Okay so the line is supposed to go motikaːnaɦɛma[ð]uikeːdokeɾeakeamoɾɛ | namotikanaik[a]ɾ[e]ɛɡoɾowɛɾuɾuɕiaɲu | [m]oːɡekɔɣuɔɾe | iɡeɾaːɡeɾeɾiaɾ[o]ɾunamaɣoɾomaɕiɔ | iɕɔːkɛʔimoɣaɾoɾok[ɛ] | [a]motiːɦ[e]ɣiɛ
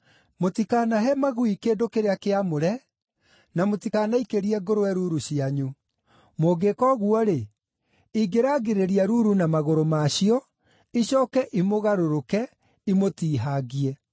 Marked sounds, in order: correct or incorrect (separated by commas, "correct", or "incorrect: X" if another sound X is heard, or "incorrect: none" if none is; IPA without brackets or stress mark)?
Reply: incorrect: ɣ, incorrect: e, incorrect: i, correct, incorrect: u, correct, incorrect: i, incorrect: a